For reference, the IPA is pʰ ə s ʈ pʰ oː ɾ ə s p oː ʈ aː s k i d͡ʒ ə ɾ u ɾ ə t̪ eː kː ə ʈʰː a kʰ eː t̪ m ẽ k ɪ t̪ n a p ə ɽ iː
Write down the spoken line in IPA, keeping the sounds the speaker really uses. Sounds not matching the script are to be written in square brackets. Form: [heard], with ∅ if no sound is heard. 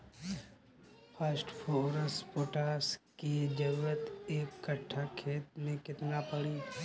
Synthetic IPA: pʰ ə s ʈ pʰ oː ɾ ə s p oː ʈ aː s k i d͡ʒ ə ɾ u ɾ ə t̪ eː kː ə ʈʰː a kʰ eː t̪ m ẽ k ɪ t̪ n a p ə ɽ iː